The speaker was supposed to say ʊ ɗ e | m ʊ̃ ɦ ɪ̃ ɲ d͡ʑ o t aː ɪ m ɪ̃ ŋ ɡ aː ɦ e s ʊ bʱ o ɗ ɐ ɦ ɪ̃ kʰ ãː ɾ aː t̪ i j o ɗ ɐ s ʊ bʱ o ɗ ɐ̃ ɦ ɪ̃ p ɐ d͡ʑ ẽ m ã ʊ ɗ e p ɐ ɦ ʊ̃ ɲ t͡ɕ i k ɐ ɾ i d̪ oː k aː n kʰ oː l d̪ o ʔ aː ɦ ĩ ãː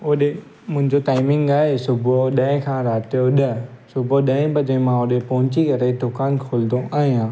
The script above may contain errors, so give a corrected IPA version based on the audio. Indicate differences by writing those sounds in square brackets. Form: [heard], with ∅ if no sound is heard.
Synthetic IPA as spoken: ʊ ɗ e | m ʊ̃ ɦ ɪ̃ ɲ d͡ʑ o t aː ɪ m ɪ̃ ŋ ɡ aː ɦ e s ʊ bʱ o ɗ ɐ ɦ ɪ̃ kʰ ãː ɾ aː t̪ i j o ɗ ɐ s ʊ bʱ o ɗ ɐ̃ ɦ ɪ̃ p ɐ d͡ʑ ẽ m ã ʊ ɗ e p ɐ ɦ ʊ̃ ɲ t͡ɕ i k ɐ ɾ [e] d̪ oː k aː n kʰ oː l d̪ o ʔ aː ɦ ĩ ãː